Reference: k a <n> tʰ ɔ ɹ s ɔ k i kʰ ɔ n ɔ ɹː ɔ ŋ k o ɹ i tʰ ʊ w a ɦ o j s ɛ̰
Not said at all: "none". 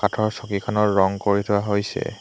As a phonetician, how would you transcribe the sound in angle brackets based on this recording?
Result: none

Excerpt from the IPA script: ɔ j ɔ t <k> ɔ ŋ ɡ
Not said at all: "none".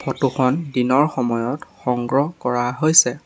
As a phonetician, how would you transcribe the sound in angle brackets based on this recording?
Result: x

